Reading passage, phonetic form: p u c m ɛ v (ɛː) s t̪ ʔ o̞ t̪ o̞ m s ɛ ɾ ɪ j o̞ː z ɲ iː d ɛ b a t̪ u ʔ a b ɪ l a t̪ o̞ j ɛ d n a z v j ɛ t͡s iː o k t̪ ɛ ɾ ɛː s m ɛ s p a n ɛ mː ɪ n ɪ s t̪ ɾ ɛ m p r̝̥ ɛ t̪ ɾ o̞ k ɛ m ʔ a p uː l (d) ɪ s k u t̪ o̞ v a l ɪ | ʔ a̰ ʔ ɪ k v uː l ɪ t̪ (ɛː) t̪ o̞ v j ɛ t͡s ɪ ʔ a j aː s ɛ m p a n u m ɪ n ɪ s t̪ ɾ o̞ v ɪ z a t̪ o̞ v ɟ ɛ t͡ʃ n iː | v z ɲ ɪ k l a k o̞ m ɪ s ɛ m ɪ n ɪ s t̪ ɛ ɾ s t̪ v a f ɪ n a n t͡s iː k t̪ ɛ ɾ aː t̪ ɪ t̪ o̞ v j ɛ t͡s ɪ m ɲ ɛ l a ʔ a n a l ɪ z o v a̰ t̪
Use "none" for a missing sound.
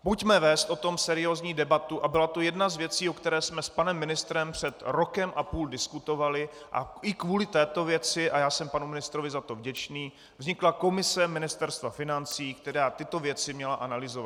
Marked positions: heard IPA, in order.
ɛː, d, ɛː

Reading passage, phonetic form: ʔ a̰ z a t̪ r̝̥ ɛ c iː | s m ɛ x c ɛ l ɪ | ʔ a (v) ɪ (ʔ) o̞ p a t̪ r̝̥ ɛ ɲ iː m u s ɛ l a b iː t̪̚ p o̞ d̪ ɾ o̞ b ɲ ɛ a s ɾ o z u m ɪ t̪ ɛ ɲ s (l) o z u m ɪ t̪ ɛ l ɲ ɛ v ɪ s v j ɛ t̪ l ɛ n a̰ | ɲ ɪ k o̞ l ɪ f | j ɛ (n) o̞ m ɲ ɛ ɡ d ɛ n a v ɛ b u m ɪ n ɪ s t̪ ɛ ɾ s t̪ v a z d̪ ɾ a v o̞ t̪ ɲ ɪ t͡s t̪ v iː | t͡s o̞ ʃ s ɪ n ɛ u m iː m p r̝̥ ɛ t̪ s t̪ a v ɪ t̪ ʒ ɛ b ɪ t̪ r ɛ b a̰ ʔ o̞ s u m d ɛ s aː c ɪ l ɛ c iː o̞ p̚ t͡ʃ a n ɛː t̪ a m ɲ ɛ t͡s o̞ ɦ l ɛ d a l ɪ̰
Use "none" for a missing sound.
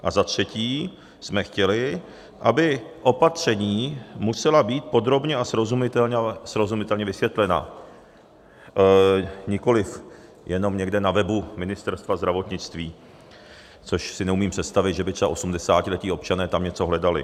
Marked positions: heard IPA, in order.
b, ʔ, ɾ, n

